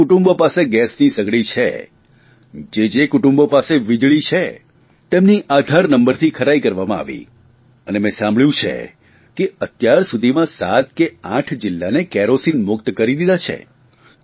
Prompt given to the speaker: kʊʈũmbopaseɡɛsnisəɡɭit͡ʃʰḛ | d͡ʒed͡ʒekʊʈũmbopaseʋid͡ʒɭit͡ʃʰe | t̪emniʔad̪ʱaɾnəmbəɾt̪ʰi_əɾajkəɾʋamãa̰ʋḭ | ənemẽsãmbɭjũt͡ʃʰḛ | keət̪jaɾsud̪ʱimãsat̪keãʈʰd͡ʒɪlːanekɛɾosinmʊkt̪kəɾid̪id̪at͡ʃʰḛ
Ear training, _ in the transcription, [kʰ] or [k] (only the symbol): kʰ